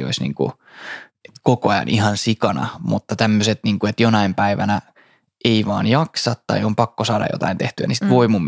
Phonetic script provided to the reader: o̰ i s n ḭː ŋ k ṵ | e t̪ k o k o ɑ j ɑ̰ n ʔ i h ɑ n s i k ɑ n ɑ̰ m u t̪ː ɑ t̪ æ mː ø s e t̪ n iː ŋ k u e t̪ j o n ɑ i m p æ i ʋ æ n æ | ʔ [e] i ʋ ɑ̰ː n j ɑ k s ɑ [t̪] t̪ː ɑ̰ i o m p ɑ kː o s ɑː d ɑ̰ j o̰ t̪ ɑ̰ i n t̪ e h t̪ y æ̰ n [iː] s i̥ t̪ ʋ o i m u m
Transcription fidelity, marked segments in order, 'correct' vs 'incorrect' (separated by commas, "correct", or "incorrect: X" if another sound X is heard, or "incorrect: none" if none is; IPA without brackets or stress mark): correct, correct, incorrect: i